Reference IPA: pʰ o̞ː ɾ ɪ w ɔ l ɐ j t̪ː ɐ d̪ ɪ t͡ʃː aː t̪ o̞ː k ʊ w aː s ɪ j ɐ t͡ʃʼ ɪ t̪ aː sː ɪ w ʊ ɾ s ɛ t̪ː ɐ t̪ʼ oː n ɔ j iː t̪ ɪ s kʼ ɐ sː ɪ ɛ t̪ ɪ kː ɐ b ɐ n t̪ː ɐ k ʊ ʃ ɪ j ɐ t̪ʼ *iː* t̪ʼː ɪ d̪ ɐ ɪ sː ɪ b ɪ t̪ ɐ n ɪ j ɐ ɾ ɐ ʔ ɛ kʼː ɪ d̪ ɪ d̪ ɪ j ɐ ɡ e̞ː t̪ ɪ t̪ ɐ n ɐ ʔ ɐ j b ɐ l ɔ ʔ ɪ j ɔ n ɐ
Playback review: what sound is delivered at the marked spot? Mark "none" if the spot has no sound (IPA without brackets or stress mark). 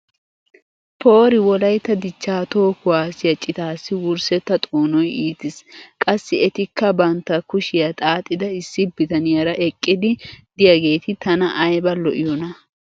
aː